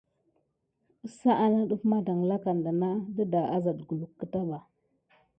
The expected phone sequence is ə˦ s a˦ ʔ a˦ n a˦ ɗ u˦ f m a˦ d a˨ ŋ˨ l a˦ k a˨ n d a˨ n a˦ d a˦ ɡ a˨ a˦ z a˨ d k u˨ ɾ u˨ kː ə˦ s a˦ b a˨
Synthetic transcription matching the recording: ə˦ s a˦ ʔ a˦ n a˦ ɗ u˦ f m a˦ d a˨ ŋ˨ l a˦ k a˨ n d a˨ n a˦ d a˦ d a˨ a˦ z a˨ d ɡ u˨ l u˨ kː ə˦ t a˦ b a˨

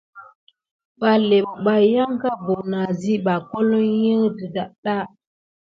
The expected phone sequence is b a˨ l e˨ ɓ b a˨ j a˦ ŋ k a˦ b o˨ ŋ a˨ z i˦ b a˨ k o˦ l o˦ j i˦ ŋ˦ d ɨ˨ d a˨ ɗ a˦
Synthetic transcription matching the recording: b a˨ l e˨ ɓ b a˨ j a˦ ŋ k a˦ b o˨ n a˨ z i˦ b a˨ k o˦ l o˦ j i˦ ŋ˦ d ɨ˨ d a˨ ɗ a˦

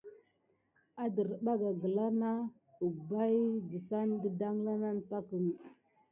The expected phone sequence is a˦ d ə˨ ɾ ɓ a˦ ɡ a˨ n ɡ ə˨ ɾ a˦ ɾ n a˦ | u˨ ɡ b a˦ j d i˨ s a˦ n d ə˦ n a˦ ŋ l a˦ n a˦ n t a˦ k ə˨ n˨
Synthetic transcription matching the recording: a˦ d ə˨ ɾ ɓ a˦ ɡ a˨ ɡ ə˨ l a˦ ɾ n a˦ | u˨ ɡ b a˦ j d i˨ s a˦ n d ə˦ d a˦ ŋ l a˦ n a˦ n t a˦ k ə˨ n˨

